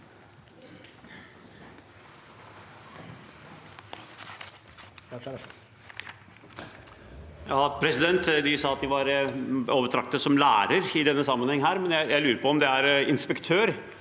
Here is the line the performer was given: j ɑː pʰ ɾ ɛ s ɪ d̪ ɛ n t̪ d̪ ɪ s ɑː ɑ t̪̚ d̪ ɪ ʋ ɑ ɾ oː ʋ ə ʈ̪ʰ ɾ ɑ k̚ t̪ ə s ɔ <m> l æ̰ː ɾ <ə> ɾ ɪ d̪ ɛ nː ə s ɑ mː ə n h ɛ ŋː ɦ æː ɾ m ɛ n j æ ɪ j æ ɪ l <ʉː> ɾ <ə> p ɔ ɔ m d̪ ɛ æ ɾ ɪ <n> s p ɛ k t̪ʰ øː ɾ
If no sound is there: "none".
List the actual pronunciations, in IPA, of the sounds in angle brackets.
m, ə, ʉː, ə, n

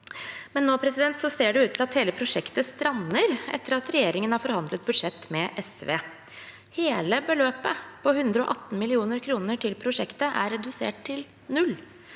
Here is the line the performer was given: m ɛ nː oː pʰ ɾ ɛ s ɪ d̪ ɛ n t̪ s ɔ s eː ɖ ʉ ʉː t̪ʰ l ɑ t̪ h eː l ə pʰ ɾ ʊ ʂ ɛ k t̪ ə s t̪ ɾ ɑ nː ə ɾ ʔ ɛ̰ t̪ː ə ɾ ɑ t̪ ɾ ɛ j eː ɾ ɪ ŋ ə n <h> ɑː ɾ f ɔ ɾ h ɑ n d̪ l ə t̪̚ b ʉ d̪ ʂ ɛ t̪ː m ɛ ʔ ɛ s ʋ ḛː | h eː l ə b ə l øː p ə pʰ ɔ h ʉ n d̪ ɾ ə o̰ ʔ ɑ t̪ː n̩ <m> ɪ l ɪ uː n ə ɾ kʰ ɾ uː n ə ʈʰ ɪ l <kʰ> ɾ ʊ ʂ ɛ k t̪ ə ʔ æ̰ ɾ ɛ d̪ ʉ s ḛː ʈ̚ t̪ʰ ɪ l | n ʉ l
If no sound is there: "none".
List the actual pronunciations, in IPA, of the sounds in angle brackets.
h, m, pʰ

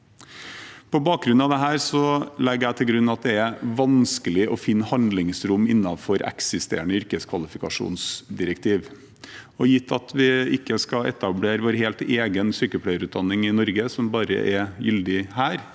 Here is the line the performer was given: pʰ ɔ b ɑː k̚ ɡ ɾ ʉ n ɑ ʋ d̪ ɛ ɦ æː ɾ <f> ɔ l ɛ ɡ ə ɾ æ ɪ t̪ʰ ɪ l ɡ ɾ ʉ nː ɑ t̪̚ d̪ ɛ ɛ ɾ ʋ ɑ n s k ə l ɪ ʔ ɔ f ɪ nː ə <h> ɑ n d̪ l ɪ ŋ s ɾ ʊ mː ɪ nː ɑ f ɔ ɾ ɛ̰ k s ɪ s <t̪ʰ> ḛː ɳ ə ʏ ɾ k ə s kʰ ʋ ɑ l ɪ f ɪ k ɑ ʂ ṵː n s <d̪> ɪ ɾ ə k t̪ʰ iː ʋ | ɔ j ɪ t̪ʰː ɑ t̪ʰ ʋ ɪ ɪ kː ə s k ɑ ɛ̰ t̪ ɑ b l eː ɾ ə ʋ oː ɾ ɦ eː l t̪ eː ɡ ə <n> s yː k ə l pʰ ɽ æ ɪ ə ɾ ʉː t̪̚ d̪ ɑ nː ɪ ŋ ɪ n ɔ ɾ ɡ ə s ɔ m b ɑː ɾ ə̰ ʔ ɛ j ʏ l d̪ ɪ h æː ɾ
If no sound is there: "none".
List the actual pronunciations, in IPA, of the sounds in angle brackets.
s, h, t̪, d̪, n

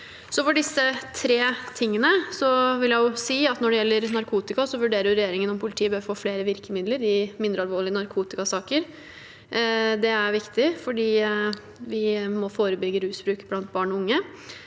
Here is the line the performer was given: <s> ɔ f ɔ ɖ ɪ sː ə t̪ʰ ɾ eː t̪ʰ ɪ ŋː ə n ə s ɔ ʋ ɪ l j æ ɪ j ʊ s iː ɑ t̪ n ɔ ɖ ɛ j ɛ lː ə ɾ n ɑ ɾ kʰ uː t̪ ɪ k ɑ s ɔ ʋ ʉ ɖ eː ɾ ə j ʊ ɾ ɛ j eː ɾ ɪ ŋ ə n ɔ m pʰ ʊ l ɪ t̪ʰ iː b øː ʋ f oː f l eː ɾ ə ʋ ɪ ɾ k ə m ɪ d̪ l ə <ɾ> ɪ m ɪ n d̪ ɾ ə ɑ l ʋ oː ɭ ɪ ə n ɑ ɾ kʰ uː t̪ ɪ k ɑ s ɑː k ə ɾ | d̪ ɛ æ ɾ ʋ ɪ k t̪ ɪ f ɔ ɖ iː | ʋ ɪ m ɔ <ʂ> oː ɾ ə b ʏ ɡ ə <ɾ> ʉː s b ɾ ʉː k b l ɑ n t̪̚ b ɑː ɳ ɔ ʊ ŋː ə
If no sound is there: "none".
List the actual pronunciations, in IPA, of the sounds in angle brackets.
s, ɾ, f, ɾ

